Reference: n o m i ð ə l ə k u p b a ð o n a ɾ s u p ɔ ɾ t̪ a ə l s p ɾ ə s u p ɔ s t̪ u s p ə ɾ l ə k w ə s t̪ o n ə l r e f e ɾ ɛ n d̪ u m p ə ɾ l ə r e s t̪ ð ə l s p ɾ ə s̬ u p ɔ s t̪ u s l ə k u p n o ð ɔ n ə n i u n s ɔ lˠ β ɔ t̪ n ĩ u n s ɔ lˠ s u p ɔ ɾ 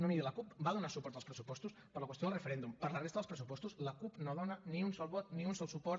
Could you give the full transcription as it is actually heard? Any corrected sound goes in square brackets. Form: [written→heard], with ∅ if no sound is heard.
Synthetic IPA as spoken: n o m i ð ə l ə k u p b a ð [o→u] n a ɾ s u p ɔ ɾ t̪ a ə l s p ɾ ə s u p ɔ s t̪ u s p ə ɾ l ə k w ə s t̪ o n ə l r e f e ɾ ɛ n d̪ u m p ə ɾ l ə r e s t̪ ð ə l s p ɾ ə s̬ u p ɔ s t̪ u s l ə k u p n o ð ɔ n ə n i u n s ɔ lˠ β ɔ t̪ n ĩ u n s ɔ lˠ s u p ɔ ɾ